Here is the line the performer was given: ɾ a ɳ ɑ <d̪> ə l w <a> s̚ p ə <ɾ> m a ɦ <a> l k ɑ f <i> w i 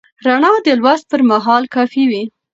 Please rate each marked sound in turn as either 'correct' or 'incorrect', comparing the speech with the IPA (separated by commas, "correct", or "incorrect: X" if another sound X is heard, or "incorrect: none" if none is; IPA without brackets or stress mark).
correct, correct, correct, incorrect: ɑ, correct